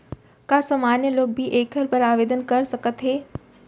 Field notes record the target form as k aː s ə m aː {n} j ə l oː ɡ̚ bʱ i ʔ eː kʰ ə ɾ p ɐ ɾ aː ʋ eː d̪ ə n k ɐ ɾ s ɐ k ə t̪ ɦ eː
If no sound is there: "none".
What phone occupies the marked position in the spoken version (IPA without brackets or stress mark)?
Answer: n